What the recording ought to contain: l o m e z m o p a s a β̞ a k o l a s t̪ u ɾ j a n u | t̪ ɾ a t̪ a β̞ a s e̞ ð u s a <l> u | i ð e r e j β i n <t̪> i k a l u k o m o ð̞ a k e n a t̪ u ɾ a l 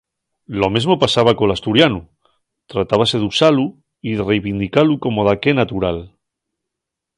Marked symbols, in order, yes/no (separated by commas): yes, no